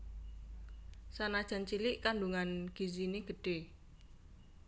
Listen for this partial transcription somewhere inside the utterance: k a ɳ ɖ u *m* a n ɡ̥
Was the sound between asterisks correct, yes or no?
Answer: no